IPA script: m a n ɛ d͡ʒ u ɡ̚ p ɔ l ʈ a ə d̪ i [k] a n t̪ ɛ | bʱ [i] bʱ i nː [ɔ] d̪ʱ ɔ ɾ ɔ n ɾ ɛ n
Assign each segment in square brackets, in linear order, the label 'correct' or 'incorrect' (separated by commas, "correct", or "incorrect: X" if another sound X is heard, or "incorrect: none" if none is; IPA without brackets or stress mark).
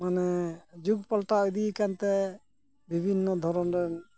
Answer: correct, correct, correct